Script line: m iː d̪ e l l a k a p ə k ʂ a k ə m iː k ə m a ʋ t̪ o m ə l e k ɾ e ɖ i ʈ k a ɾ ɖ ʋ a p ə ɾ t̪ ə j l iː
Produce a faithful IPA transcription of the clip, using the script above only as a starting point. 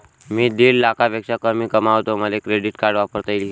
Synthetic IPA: m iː d̪ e l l a k a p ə k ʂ a k ə m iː k ə m a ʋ t̪ o m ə l e k ɾ e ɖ i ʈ k a ɾ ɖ ʋ a p ə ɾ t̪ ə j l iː